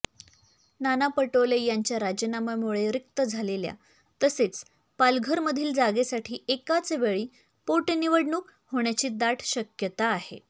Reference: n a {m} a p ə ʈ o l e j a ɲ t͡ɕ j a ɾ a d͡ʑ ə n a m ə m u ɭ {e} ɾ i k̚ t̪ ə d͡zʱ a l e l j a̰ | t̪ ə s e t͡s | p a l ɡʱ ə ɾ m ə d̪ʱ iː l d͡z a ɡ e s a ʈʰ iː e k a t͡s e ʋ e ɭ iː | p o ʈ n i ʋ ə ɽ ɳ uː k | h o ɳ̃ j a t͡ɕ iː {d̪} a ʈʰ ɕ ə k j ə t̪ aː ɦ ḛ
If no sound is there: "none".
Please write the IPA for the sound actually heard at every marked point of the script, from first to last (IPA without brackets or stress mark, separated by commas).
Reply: n, e, d̪